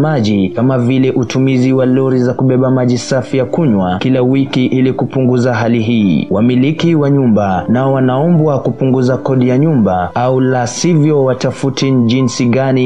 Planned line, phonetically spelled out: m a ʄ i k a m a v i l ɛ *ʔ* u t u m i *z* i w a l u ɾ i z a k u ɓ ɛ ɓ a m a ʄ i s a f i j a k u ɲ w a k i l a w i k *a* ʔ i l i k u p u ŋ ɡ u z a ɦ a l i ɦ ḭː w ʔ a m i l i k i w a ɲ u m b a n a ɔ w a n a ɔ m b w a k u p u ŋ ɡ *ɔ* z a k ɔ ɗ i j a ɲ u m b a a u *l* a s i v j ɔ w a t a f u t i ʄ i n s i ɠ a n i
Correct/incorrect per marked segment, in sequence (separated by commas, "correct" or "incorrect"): correct, correct, incorrect, incorrect, correct